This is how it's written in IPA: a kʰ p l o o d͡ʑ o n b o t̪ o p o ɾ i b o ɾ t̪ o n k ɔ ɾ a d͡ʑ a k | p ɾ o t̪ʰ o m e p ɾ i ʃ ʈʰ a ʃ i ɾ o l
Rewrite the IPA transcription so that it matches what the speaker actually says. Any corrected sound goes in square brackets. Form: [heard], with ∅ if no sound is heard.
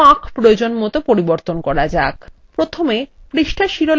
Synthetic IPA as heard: a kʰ p [ɾ] o o d͡ʑ o n [m] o t̪ o p o ɾ i b o ɾ t̪ o n k ɔ ɾ a d͡ʑ a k | p ɾ o t̪ʰ o m e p ɾ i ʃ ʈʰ a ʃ i ɾ o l